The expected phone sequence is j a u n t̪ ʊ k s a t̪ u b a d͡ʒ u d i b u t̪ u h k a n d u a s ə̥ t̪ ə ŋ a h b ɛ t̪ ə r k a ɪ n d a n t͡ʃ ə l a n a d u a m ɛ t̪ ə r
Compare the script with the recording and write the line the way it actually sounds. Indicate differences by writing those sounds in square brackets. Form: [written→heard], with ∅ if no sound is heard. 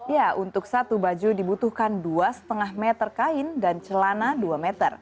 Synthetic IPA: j a u n t̪ ʊ k s a t̪ u b a d͡ʒ u d i b u t̪ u h k a n d u a s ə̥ t̪ ə ŋ a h [b→m] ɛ t̪ ə r k a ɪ n d a n t͡ʃ ə l a n a d u a m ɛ t̪ ə r